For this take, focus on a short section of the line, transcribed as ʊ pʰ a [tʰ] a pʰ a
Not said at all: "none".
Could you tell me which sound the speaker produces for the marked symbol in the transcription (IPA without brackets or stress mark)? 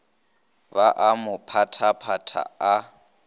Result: tʰ